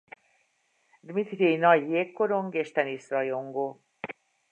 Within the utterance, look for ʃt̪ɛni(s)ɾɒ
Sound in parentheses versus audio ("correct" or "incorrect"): correct